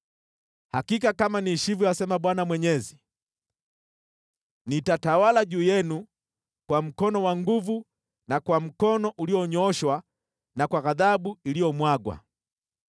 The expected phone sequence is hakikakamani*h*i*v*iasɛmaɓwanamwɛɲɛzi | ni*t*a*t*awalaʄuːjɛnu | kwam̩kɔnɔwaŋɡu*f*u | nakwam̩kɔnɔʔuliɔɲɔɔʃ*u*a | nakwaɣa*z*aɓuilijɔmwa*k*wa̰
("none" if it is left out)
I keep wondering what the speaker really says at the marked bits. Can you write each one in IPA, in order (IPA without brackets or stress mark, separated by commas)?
ʃ, v, t, t, v, w, ð, ɡ